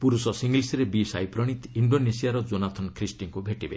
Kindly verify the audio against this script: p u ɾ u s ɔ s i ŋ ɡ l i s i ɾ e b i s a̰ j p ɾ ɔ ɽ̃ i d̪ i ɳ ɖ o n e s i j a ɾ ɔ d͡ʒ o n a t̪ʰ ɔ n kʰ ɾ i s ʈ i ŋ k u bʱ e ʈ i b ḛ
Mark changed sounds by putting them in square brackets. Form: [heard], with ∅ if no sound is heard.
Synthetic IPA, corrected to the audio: p u ɾ u s ɔ s i ŋ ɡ l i s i ɾ e b i s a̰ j p ɾ ɔ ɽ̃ i [t̪] i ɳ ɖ o n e s i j a ɾ ɔ d͡ʒ o n a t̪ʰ ɔ n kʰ ɾ i s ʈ i ŋ k u bʱ e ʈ i b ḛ